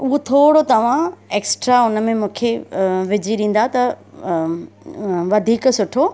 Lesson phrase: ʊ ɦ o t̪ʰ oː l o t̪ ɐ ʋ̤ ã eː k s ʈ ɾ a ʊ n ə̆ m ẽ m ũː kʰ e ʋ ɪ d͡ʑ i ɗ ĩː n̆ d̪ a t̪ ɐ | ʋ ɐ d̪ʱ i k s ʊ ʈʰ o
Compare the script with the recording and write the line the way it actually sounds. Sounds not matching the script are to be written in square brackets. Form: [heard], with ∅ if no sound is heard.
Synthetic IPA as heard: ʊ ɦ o t̪ʰ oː [ɽ] o t̪ ɐ ʋ̤ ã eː k s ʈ ɾ a ʊ n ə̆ m ẽ m ũː kʰ e ʋ ɪ d͡ʑ i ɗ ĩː n̆ d̪ a t̪ ɐ | ʋ ɐ d̪ʱ [iː] k s ʊ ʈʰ o